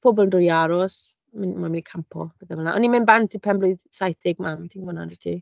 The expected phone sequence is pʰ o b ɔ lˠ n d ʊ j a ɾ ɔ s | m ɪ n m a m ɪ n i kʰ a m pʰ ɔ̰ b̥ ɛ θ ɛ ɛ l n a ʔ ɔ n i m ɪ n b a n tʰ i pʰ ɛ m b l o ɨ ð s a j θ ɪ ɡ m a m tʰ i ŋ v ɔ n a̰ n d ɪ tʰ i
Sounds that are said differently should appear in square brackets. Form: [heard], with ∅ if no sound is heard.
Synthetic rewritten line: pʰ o b ɔ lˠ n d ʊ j a ɾ ɔ s | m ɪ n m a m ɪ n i kʰ a m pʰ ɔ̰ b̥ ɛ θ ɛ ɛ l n a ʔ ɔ n i m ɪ n b a n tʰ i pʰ ɛ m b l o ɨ ð s a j θ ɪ ɡ m a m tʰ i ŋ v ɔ n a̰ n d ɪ tʰ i